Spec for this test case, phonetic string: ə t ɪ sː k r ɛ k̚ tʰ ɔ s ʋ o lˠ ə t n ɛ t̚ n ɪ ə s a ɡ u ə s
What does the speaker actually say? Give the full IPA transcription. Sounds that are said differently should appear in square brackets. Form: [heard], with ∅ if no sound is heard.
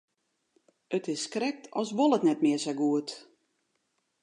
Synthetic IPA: ə t ɪ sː k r ɛ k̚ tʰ ɔ s ʋ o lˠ ə t n ɛ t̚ [m] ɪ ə s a ɡ u ə [t]